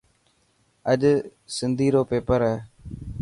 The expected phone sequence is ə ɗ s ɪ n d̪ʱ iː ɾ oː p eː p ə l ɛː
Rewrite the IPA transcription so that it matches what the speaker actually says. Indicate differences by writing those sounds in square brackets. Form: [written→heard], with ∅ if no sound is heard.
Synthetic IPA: ə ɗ s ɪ n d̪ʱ iː ɾ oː p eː p ə [l→ɾ] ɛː